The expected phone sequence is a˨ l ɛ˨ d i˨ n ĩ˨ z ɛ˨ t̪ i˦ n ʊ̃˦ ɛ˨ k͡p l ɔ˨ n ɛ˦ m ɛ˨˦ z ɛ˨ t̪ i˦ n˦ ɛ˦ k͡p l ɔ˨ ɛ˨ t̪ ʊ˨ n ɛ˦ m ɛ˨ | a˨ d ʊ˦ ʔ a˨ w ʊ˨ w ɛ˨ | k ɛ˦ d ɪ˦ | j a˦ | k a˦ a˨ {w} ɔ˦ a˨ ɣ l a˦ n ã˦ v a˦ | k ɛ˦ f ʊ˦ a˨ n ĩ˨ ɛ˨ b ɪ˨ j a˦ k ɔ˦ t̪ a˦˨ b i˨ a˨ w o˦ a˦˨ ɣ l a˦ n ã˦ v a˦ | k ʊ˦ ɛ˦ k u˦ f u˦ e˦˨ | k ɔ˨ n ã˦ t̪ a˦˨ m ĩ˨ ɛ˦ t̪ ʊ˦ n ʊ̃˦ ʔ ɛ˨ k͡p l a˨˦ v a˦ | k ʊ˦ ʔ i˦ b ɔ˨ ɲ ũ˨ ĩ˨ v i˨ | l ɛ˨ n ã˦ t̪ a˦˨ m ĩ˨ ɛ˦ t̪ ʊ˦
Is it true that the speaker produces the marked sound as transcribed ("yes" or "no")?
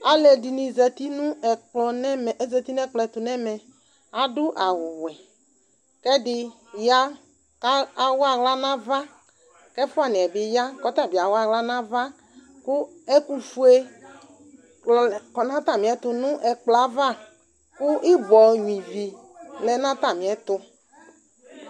yes